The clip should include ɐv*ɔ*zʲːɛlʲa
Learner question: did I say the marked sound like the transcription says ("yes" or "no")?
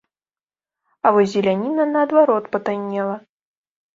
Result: yes